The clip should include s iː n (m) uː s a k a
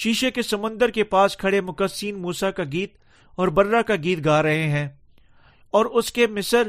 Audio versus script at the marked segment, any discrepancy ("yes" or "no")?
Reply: no